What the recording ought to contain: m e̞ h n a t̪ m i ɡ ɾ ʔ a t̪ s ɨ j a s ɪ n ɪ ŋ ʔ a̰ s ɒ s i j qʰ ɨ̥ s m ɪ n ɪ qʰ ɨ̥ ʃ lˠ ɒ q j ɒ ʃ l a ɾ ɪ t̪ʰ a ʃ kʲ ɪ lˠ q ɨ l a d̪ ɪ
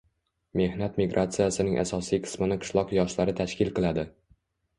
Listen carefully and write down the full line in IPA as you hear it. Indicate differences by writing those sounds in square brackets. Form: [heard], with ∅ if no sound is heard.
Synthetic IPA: m e̞ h n a t̪ m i ɡ ɾ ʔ a t̪ s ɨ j a s ɪ n ɪ ŋ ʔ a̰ s ɒ s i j qʰ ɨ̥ s m ɪ n ɪ qʰ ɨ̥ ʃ lˠ ɒ q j ɒ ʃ l a ɾ ɪ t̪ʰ a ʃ kʲ ɪ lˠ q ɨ l a d̪ ɪ